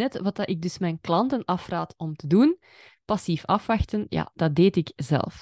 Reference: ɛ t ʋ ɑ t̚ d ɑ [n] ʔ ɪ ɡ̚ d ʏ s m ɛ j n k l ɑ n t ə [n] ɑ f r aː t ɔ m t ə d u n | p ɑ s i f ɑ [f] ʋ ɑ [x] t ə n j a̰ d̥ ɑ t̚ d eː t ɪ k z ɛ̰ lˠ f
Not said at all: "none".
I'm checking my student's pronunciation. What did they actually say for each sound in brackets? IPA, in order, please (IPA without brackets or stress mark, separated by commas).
none, n, f, x